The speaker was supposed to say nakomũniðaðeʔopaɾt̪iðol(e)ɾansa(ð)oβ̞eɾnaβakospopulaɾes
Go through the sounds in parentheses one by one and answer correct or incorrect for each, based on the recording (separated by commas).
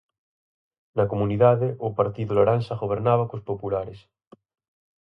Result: incorrect, incorrect